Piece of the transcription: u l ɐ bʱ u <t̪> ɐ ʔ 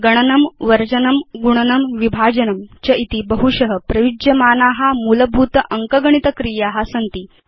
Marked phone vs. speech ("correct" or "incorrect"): correct